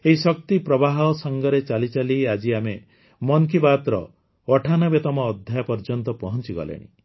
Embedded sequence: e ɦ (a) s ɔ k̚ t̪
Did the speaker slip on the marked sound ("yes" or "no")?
yes